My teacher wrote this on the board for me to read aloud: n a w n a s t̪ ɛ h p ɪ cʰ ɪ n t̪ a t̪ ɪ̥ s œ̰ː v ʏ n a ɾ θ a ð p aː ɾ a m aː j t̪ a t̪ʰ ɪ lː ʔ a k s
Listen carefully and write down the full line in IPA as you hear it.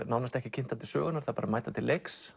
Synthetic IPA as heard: n a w n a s t̪ ɛ h c ɪ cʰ ɪ n t̪ a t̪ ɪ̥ s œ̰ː ɣ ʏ n a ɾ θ a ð p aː ɾ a m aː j t̪ a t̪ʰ ɪ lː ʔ e k s